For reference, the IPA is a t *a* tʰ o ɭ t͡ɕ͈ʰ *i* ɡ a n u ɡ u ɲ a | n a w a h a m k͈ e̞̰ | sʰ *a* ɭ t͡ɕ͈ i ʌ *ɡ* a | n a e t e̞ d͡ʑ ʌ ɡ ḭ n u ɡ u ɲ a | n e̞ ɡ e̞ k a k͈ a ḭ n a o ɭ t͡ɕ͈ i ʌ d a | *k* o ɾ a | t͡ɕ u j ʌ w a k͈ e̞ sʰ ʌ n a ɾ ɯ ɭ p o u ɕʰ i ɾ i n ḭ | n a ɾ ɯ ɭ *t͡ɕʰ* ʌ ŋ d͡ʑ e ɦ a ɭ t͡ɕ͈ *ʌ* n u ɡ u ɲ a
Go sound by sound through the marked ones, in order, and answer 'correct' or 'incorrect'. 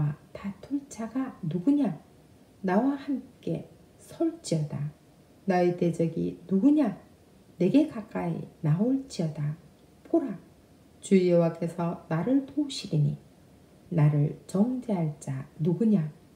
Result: correct, incorrect, incorrect, incorrect, incorrect, incorrect, incorrect

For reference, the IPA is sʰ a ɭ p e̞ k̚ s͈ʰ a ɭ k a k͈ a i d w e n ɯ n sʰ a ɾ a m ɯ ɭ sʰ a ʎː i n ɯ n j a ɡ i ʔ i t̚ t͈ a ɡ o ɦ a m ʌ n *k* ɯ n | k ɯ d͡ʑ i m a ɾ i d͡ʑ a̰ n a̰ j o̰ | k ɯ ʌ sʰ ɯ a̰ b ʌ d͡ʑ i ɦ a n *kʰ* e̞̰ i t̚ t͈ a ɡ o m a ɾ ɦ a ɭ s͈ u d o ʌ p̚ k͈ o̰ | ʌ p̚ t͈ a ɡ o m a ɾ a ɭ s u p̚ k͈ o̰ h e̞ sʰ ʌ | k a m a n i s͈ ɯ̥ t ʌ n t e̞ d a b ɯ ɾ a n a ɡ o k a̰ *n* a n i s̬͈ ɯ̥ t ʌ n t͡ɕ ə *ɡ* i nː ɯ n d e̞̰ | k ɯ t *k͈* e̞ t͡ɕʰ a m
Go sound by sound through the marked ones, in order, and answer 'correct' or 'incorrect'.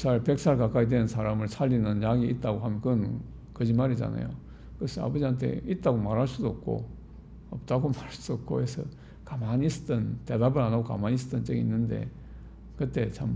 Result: correct, incorrect, incorrect, correct, incorrect

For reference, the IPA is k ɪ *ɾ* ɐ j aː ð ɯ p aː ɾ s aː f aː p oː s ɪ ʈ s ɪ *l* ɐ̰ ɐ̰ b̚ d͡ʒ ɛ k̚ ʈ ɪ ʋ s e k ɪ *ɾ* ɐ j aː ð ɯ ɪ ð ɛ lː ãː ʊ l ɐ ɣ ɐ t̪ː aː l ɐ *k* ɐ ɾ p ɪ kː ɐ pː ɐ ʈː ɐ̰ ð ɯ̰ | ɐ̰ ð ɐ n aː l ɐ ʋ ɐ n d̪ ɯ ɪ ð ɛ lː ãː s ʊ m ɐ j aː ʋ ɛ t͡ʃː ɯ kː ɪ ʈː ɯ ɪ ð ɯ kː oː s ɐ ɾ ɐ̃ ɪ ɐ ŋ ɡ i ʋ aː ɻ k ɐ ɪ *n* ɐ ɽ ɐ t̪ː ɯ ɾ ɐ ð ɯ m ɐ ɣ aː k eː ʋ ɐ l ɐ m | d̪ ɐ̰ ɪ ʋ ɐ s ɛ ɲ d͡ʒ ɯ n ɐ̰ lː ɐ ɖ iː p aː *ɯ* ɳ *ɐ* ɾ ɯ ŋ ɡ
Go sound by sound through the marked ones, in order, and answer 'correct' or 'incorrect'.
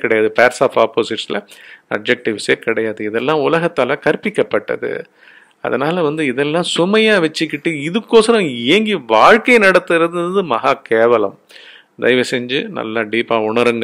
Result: incorrect, correct, incorrect, correct, correct, incorrect, correct

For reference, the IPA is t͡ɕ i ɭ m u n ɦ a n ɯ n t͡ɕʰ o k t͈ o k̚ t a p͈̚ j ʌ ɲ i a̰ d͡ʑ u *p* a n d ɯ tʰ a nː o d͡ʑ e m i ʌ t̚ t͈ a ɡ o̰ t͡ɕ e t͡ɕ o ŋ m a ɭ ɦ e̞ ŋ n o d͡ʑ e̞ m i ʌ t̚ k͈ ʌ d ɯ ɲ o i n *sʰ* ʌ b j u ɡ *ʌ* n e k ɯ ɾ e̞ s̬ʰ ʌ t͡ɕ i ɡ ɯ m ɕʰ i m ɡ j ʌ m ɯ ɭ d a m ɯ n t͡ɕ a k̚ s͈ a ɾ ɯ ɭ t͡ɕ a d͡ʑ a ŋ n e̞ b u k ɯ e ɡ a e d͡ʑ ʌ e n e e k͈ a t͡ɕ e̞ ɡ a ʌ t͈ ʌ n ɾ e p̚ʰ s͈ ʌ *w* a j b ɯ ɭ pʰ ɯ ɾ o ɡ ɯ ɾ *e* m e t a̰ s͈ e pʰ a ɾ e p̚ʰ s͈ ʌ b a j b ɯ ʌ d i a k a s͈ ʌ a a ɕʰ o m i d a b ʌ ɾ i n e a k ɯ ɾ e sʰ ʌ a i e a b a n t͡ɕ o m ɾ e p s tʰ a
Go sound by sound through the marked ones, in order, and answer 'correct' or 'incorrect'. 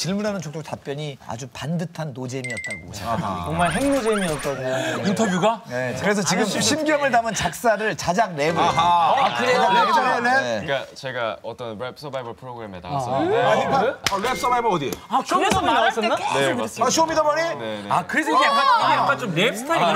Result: correct, incorrect, incorrect, incorrect, correct

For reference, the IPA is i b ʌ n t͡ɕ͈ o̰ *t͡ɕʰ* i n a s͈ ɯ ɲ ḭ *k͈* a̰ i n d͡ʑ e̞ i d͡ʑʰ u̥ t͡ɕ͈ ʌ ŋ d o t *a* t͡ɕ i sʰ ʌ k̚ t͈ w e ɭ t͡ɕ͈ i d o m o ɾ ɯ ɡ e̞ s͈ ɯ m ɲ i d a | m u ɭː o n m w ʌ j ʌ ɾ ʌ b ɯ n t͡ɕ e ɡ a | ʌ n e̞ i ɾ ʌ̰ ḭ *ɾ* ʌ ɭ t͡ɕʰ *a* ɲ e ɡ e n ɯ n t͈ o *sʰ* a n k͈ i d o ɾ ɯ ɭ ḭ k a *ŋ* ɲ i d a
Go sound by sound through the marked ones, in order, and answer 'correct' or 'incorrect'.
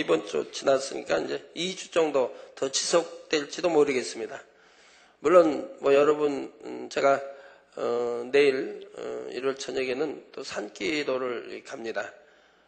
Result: incorrect, correct, incorrect, correct, incorrect, correct, incorrect

